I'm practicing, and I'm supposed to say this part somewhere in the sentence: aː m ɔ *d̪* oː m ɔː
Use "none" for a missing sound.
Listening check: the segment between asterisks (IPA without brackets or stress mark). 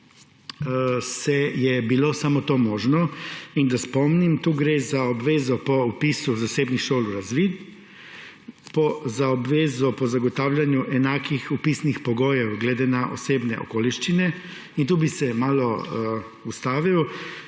t̪